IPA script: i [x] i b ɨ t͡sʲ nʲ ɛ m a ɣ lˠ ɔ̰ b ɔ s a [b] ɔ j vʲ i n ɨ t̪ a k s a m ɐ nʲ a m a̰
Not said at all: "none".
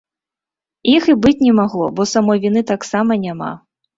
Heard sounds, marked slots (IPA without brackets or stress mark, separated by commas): x, m